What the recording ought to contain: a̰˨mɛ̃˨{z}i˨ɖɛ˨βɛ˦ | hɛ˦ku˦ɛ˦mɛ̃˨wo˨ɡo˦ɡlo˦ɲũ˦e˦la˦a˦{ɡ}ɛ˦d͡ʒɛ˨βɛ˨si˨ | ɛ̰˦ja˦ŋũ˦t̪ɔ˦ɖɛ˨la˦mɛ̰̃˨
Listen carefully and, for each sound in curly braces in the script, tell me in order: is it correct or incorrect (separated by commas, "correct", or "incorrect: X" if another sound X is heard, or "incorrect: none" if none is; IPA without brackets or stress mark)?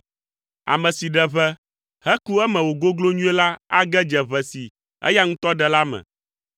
incorrect: s, correct